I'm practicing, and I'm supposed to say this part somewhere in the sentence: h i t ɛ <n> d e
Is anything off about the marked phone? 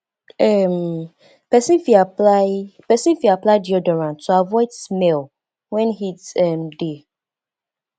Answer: yes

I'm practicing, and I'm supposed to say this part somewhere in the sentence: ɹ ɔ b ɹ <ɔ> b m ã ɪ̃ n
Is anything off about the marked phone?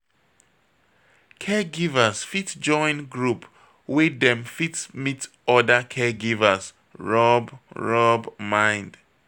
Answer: no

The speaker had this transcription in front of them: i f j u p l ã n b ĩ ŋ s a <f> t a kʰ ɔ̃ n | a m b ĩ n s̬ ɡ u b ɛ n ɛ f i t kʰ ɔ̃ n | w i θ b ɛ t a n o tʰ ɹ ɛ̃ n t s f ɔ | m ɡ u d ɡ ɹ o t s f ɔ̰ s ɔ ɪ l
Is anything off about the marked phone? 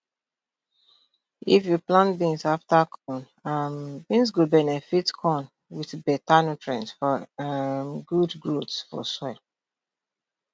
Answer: no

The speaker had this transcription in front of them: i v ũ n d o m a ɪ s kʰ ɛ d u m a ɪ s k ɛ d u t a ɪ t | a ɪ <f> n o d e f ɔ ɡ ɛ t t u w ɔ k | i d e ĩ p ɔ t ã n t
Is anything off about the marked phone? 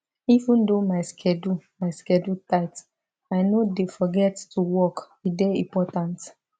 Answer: yes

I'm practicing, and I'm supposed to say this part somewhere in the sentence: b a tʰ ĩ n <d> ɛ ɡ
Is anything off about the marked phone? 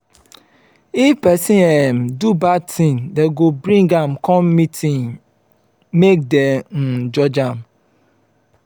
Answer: no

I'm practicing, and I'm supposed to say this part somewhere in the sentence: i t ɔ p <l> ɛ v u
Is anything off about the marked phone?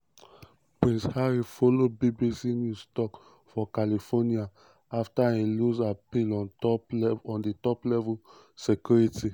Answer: no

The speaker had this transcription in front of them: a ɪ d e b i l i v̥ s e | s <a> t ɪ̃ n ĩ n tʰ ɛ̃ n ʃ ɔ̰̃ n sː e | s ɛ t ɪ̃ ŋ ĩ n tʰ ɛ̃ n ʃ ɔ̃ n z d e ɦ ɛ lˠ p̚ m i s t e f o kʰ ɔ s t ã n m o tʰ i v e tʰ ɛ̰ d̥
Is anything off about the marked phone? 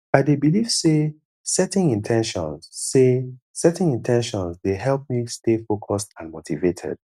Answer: yes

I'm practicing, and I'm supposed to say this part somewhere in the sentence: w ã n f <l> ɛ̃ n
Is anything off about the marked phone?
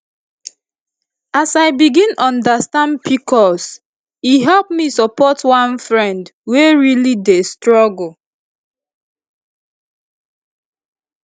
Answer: yes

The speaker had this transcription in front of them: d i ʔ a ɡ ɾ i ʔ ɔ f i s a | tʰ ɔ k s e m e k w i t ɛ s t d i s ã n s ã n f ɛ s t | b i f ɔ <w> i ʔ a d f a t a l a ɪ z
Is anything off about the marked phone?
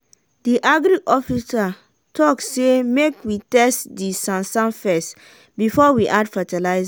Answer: no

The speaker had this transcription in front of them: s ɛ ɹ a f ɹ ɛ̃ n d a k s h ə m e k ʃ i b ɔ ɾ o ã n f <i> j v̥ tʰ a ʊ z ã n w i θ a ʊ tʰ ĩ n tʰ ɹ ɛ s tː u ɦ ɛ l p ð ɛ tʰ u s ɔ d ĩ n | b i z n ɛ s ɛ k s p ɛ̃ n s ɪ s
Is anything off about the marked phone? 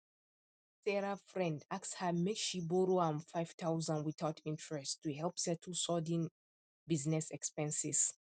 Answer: yes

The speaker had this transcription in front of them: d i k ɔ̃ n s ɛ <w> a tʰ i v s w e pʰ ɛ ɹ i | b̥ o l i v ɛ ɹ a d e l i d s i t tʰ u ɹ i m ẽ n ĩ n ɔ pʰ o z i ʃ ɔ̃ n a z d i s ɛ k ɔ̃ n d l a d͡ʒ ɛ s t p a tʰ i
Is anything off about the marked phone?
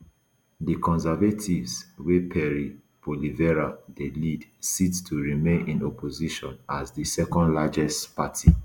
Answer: yes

